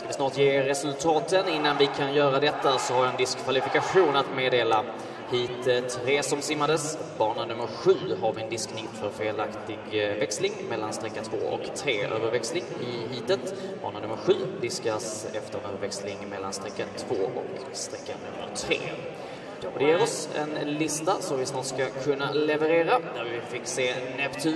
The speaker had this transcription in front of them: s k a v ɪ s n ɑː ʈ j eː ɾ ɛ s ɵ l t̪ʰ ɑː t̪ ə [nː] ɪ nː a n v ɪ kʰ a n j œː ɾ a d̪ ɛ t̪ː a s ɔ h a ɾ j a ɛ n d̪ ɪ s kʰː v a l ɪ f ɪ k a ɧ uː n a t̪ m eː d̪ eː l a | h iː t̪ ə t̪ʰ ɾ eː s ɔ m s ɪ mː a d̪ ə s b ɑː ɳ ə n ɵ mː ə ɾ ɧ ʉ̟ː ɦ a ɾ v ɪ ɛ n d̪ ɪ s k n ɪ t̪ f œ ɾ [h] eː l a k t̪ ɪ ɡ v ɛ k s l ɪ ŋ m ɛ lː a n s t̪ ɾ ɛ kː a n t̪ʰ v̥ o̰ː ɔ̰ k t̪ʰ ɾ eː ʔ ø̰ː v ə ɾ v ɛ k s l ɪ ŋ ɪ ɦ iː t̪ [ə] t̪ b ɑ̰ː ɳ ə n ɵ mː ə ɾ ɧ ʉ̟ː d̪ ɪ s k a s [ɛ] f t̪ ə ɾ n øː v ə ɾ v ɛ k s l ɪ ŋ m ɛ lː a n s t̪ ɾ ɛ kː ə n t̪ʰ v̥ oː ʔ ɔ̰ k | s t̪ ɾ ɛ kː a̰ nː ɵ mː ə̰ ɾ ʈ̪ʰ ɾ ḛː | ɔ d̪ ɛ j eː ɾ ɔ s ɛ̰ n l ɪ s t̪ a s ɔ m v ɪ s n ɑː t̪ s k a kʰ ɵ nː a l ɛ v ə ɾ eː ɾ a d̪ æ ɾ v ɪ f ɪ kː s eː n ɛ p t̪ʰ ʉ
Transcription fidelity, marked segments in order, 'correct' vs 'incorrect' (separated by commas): incorrect, incorrect, correct, correct